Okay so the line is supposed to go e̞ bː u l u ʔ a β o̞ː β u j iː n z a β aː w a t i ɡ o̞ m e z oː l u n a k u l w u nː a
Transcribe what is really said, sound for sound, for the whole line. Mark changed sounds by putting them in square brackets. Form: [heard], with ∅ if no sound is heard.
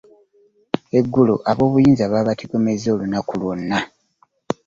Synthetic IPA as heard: e̞ [ɡː] u l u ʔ a β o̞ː β u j iː n z a β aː [β] a t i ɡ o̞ m e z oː l u n a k u l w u nː a